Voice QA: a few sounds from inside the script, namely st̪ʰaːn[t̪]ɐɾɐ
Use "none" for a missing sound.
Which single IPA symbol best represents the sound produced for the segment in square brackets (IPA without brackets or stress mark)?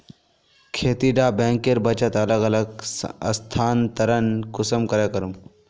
t̪